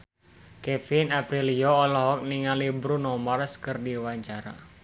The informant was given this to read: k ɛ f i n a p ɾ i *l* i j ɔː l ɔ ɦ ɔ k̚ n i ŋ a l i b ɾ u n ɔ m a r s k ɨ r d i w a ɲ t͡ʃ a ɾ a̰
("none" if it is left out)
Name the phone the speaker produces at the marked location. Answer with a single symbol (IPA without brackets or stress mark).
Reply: l